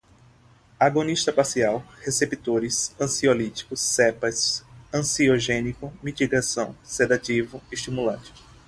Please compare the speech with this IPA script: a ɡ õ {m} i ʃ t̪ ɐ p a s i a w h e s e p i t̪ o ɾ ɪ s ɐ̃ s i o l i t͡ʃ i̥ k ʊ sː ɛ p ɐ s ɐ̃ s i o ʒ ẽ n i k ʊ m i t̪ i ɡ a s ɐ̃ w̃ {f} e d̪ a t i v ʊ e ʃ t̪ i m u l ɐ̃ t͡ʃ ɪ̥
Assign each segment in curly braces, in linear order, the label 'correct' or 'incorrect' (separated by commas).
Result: incorrect, incorrect